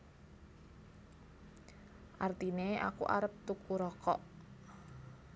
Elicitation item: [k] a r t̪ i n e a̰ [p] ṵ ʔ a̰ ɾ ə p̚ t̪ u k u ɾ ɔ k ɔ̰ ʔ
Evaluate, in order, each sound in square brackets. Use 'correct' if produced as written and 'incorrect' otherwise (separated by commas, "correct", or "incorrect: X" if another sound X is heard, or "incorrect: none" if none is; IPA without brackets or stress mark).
incorrect: ʔ, incorrect: k